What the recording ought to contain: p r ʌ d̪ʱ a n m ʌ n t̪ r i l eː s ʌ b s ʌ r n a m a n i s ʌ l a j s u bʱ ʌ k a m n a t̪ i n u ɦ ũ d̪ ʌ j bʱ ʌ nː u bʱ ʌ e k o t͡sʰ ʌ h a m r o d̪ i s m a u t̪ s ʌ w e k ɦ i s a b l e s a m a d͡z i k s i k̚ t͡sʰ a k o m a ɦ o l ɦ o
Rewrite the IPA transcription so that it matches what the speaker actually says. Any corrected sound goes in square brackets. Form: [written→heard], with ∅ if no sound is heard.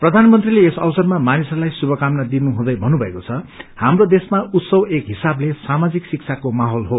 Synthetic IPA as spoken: p r ʌ d̪ʱ a n m ʌ n t̪ r i l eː s ʌ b s ʌ r [n→m] a m a n i s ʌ l a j s u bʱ ʌ k a m n a [t̪→d̪] i n u ɦ ũ d̪ ʌ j bʱ ʌ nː u bʱ ʌ e k o t͡sʰ ʌ h a m r o d̪ [i→e] s m a u t̪ s ʌ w e k ɦ i s a b l e s a m a d͡z i k s i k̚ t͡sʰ a k o m a ɦ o l ɦ o